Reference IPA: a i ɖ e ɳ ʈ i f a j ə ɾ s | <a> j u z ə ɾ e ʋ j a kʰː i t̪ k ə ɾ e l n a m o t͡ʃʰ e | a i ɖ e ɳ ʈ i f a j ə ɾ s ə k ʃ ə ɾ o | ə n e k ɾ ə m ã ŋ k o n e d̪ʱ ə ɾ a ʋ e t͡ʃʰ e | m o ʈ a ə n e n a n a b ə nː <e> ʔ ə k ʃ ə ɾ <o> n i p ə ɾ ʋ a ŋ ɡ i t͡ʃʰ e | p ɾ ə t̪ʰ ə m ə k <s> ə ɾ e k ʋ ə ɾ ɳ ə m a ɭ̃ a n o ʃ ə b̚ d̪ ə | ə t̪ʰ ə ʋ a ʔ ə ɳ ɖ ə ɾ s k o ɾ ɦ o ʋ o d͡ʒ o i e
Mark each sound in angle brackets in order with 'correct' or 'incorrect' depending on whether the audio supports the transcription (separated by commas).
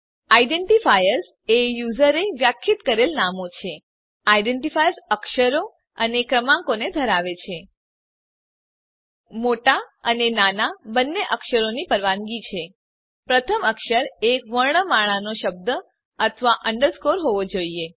incorrect, correct, correct, incorrect